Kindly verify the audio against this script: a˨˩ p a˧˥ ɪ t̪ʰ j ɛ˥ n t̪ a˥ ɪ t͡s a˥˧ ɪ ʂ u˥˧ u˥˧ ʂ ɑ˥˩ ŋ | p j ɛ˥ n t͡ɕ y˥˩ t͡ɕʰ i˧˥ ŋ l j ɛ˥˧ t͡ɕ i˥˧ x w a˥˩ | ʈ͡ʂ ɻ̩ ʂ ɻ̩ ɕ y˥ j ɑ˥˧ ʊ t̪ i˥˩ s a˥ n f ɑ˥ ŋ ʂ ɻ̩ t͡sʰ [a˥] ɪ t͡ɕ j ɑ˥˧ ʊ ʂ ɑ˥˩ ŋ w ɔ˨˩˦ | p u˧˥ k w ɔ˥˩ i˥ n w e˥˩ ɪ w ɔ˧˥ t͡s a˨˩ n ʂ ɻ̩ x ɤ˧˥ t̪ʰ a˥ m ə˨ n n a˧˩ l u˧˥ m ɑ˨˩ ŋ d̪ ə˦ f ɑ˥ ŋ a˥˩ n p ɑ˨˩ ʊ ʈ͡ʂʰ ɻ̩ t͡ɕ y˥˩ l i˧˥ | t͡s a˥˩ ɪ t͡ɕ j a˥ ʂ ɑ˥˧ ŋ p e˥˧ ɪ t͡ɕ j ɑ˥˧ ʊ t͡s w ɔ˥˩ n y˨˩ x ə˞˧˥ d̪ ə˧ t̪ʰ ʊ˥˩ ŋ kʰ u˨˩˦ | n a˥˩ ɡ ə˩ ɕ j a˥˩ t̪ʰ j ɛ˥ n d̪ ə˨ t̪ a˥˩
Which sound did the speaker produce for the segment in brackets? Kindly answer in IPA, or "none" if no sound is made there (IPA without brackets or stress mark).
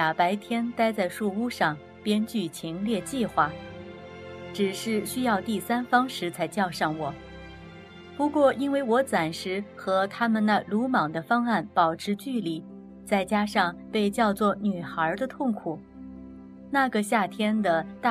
a˧˥